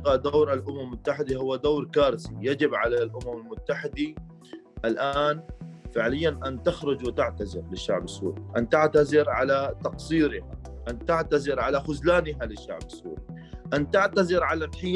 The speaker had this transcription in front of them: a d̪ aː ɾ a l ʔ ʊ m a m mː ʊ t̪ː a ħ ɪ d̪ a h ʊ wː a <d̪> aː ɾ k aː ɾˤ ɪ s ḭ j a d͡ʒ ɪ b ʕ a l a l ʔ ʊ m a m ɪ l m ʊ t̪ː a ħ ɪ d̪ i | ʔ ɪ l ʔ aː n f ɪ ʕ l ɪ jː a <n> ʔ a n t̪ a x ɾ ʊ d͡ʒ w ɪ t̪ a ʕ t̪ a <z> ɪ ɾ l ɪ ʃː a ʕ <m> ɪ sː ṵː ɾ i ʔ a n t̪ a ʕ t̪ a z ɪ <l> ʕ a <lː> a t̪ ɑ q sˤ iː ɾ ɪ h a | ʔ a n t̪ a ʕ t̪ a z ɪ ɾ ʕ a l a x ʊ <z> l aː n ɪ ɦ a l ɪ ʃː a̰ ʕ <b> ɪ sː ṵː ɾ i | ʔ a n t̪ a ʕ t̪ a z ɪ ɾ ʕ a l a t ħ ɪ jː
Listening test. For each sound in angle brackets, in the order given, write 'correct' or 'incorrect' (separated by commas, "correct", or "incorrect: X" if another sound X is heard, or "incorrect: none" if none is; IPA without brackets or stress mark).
correct, correct, correct, incorrect: b, incorrect: ɾ, incorrect: l, correct, correct